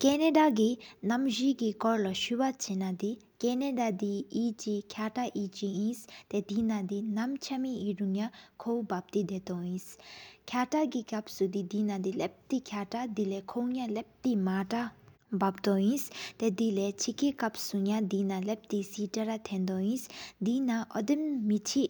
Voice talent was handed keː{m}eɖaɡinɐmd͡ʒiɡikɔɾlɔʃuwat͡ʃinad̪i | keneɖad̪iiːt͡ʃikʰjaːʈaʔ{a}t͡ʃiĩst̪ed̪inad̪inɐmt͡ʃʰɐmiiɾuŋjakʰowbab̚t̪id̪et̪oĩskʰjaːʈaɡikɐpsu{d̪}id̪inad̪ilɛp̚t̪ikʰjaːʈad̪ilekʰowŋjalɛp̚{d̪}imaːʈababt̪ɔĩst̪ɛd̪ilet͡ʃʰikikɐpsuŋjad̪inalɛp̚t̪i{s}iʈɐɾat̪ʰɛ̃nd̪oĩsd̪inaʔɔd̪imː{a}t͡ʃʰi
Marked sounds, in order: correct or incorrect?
incorrect, incorrect, correct, incorrect, correct, incorrect

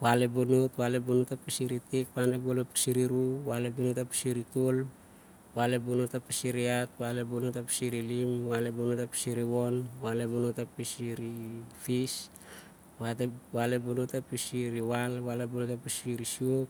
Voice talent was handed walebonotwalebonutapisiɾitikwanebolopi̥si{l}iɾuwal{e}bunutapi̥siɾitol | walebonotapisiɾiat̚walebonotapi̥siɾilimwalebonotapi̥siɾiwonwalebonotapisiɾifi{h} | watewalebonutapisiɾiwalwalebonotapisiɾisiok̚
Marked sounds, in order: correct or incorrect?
incorrect, correct, incorrect

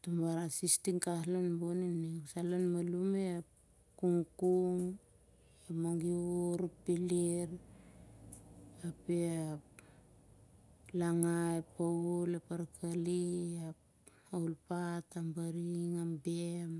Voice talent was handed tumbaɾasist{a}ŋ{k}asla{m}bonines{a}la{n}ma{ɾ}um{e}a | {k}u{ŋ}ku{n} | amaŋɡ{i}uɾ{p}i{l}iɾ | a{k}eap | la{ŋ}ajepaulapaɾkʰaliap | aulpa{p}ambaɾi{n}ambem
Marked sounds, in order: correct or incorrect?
incorrect, correct, incorrect, correct, correct, incorrect, correct, correct, correct, incorrect, correct, correct, correct, incorrect, correct, incorrect, incorrect

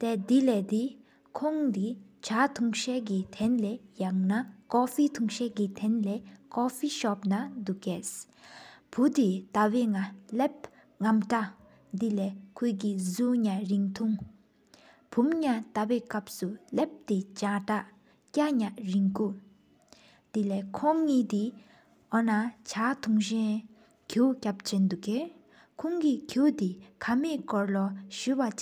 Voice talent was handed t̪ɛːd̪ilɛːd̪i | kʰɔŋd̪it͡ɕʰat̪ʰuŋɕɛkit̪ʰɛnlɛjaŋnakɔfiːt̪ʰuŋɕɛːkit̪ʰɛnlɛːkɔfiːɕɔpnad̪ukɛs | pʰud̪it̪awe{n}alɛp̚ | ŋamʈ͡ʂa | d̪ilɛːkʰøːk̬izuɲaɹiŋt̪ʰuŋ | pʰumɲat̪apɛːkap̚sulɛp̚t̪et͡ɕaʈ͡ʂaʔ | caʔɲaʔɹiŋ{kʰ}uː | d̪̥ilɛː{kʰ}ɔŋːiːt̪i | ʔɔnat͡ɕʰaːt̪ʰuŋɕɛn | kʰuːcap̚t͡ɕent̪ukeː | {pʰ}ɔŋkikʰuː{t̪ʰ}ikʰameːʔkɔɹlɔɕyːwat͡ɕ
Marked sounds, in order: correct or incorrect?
incorrect, incorrect, correct, incorrect, incorrect

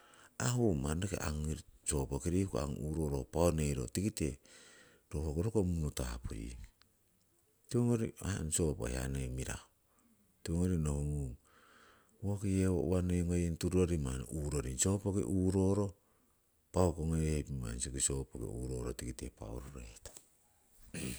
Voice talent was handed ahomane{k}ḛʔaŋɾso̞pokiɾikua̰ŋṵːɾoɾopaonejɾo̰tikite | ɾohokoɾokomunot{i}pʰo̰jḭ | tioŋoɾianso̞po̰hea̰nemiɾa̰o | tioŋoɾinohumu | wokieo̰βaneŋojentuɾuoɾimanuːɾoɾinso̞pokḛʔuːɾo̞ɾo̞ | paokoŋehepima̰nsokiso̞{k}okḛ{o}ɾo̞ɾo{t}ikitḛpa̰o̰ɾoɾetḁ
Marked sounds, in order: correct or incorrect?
correct, incorrect, incorrect, incorrect, correct

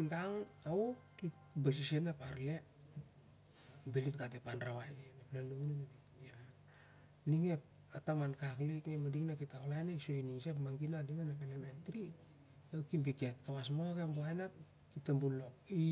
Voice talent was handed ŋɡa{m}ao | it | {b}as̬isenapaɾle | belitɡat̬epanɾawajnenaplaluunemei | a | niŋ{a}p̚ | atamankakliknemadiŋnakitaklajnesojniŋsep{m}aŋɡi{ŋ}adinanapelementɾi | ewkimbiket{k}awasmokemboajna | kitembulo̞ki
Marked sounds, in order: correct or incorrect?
incorrect, correct, incorrect, correct, incorrect, correct

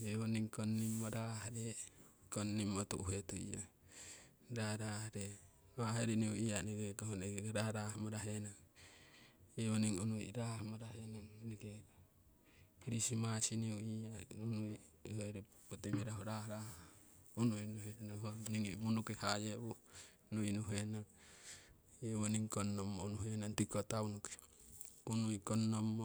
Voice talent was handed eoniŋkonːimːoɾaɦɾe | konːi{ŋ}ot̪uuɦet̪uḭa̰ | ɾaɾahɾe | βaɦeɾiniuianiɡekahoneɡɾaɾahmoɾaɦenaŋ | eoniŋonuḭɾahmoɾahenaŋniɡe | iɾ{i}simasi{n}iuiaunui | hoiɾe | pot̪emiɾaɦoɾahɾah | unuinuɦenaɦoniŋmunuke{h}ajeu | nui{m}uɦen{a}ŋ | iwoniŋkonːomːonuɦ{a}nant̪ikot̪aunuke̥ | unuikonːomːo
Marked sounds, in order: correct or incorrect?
incorrect, correct, correct, correct, incorrect, correct, incorrect

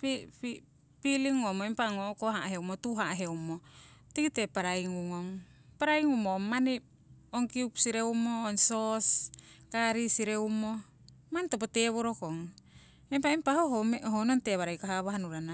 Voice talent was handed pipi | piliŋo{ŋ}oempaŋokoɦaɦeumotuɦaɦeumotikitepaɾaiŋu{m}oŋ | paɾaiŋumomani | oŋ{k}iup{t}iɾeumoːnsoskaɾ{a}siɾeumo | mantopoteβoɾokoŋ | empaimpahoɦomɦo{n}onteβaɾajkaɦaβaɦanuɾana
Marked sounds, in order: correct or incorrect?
incorrect, incorrect, correct, incorrect, incorrect, correct

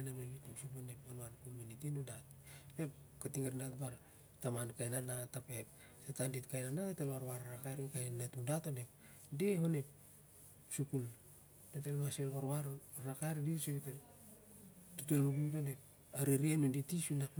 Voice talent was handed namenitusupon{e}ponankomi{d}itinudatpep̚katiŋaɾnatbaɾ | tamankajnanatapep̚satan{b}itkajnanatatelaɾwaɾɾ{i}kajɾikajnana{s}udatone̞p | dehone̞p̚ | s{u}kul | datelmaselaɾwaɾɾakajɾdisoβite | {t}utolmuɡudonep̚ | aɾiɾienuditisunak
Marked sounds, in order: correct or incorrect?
correct, incorrect, incorrect, incorrect, incorrect, correct, correct

